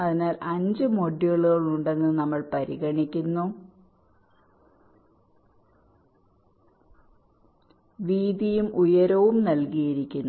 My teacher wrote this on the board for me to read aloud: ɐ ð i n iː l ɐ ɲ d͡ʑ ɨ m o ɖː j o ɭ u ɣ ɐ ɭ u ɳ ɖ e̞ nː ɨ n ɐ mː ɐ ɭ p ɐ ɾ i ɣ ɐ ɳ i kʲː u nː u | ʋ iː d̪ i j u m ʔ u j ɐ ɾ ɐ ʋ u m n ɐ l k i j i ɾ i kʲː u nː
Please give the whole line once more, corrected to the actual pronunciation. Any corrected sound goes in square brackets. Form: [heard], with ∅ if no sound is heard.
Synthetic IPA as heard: ɐ ð i n [aː] l ɐ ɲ d͡ʑ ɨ m o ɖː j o ɭ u ɣ ɐ ɭ u ɳ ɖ e̞ nː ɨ n ɐ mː ɐ ɭ p ɐ ɾ i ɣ ɐ ɳ i kʲː u nː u | ʋ iː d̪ i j u m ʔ u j ɐ ɾ ɐ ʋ u m n ɐ l k i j i ɾ i kʲː u nː

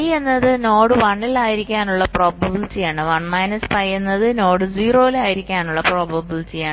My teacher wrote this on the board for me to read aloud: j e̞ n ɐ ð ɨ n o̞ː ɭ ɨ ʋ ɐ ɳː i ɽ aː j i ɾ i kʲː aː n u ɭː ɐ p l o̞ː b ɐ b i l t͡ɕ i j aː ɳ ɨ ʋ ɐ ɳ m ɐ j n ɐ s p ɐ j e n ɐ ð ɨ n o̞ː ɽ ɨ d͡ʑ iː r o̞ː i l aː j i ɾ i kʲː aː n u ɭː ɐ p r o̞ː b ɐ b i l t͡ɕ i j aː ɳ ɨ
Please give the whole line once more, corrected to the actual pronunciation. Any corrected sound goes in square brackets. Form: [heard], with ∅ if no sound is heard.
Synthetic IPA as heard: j e̞ [nː] ɐ ð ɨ n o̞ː [ɽ] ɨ ʋ ɐ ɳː i [l] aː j i ɾ i kʲː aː n u ɭː ɐ p [r] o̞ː b ɐ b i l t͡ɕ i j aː ɳ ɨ ʋ ɐ ɳ m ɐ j n ɐ s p ɐ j e [nː] ɐ ð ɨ n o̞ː ɽ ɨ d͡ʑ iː r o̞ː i l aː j i ɾ i kʲː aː n u ɭː ɐ p r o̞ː b ɐ b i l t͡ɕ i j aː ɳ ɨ

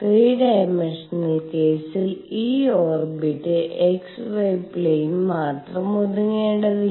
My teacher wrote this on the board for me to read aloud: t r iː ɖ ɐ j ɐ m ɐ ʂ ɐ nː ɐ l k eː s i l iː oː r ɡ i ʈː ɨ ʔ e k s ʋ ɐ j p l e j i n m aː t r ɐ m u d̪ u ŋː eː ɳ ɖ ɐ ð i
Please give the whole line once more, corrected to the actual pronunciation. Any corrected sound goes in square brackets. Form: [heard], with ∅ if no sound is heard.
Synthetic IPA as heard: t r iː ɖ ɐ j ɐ m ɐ ʂ ɐ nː ɐ l k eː s i l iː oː r [b] i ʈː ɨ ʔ e k s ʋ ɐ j p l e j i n m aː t r ɐ m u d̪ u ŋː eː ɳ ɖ ɐ ð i

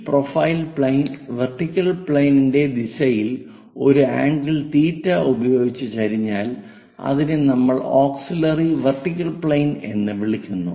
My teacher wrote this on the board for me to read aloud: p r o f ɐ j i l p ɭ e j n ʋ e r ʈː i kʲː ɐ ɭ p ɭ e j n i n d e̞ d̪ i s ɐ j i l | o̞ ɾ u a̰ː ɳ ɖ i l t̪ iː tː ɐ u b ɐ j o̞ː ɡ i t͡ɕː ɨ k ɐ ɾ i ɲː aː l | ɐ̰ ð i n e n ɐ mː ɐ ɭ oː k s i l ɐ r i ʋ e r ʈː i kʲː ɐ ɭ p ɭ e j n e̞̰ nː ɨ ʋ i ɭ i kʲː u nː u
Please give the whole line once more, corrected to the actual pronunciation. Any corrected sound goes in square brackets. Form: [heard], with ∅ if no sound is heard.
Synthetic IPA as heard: p r o f ɐ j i l p ɭ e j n ʋ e r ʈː i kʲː ɐ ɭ p ɭ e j n i n d e̞ d̪ i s ɐ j i l | o̞ ɾ u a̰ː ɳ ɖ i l t̪ iː tː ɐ u b ɐ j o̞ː ɡ i t͡ɕː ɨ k ɐ ɾ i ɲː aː l | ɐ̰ ð i n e n ɐ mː ɐ ɭ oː k s i l ɐ r i ʋ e r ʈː i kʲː ɐ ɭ p ɭ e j n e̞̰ nː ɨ ʋ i ɭ i kʲː u nː u

